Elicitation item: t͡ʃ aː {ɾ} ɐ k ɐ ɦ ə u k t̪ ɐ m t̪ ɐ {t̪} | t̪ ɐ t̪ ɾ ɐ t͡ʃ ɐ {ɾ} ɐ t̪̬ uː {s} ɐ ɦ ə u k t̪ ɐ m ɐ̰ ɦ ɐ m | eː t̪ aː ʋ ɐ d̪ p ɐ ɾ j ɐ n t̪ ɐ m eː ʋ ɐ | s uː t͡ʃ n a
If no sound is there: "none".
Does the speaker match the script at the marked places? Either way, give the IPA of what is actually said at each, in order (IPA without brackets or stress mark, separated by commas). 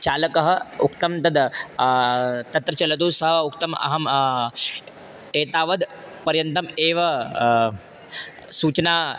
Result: l, d̪, l, s